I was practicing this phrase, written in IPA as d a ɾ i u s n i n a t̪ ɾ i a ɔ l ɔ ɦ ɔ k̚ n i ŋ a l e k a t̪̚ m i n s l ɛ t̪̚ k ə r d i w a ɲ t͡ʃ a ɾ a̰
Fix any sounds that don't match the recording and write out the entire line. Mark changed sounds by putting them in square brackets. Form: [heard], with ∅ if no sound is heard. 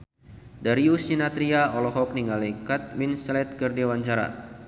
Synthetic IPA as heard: d a ɾ i u s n i n a t̪ ɾ i a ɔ l ɔ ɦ ɔ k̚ n i ŋ a l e k a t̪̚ m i n s l ɛ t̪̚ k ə r d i w a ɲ t͡ʃ a ɾ a̰